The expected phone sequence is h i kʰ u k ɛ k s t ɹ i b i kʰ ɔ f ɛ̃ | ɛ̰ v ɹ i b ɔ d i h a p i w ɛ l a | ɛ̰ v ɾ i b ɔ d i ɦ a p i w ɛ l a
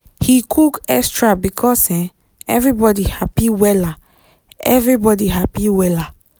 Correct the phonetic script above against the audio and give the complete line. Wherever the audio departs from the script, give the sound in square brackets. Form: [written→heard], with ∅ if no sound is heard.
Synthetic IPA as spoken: h i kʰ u k ɛ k s t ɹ [i→a] b i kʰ ɔ [f→s] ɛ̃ | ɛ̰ v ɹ i b ɔ d i h a p i w ɛ l a | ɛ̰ v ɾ i b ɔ d i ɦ a p i w ɛ l a